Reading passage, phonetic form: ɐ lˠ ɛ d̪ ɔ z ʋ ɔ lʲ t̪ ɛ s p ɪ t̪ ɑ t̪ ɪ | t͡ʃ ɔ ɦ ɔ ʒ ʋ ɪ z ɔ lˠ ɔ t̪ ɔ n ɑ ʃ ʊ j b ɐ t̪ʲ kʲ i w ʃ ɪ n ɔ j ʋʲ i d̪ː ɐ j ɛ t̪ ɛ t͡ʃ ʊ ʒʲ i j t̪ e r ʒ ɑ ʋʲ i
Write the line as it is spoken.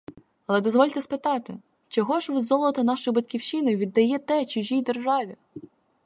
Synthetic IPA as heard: ɐ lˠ ɛ d̪ ɔ z ʋ ɔ lʲ t̪ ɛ s p ɪ t̪ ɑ t̪ ɪ | t͡ʃ ɔ ɦ ɔ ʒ ʋ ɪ z ɔ lˠ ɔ t̪ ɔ n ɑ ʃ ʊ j b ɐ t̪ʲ kʲ i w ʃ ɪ n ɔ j ʋʲ i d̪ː ɐ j ɛ t̪ ɛ t͡ʃ ʊ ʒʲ i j d̪ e r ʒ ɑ ʋʲ i